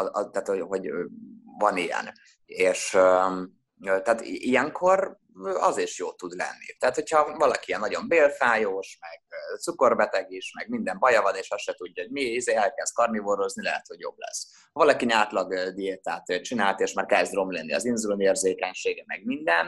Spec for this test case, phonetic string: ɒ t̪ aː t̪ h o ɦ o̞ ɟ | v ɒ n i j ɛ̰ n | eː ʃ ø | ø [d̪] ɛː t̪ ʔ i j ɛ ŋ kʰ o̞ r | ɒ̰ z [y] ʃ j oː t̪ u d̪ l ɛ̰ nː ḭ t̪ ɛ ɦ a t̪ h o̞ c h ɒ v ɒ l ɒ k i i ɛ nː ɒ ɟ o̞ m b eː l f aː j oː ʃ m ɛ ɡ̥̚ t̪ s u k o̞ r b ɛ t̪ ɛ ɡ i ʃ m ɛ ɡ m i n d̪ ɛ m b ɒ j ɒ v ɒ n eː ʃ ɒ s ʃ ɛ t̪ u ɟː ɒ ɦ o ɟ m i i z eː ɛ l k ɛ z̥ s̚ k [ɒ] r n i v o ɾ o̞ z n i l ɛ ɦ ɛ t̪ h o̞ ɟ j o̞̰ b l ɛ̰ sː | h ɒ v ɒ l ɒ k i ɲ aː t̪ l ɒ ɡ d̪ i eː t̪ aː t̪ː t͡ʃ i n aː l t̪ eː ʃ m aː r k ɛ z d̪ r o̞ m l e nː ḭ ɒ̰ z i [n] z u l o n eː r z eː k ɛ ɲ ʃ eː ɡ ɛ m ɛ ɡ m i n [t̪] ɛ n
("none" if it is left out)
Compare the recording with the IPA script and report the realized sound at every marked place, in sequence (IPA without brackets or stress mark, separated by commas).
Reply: t̪, i, ɒ, n, d̪